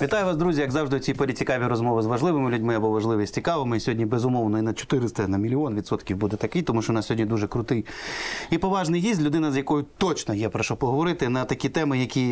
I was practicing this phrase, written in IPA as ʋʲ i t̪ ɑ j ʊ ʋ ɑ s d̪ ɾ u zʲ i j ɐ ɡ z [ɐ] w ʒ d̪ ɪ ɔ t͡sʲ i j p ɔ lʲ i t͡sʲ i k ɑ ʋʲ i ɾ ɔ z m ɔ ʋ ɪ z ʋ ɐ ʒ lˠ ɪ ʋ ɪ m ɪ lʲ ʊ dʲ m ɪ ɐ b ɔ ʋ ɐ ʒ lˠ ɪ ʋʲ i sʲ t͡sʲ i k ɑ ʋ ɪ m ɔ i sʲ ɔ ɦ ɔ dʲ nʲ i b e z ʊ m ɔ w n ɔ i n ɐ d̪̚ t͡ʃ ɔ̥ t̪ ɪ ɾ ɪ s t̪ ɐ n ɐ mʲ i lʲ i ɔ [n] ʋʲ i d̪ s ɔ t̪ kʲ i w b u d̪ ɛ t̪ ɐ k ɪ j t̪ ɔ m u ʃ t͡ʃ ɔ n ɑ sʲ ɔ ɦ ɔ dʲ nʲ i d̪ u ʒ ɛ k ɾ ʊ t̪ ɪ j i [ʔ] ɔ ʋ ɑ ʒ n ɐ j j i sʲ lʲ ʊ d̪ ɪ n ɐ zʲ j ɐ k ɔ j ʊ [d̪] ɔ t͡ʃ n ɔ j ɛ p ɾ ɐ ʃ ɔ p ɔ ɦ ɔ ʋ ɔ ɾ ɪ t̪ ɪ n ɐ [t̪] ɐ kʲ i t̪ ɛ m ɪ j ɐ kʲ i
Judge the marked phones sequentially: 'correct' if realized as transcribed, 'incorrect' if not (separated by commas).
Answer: incorrect, correct, incorrect, incorrect, correct